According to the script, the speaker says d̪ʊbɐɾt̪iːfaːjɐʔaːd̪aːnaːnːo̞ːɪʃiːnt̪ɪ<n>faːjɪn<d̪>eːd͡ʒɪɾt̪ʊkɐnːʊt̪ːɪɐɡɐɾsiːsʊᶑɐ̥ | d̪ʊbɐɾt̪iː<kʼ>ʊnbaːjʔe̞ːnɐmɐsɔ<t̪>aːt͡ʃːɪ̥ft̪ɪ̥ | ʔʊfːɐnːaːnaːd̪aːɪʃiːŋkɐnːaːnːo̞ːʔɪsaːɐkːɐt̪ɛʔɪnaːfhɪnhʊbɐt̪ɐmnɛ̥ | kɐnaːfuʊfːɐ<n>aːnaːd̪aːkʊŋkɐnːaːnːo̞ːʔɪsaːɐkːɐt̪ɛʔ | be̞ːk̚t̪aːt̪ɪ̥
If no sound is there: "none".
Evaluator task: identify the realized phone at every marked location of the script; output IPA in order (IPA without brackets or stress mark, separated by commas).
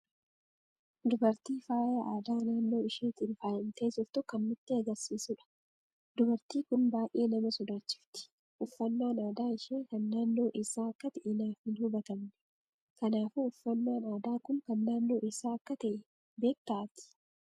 n, t̪, k, d̪, nː